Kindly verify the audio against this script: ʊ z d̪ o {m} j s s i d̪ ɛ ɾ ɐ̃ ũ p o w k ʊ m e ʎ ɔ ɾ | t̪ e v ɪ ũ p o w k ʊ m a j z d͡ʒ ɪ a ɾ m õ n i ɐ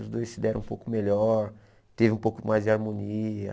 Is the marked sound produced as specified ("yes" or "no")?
no